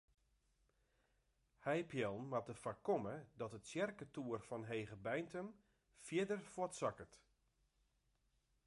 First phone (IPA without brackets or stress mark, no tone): h